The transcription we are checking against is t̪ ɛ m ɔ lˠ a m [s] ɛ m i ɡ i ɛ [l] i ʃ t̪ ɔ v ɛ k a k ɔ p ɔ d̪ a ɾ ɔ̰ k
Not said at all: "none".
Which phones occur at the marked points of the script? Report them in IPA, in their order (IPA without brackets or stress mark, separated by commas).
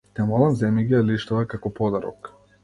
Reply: z, l